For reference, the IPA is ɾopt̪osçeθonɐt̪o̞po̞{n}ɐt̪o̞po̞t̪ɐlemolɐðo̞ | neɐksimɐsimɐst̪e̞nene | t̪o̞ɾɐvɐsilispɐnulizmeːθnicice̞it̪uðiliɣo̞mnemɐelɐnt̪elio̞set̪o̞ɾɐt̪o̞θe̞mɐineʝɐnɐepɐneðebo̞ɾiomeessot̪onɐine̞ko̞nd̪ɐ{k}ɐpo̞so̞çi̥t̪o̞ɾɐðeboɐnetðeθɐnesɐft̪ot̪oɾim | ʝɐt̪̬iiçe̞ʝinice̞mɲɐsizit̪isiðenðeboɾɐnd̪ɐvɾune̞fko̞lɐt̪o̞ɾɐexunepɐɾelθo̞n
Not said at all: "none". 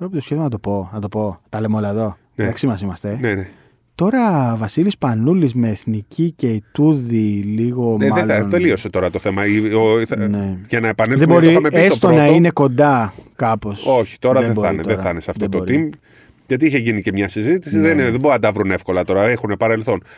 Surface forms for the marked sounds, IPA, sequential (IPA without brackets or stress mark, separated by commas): n, k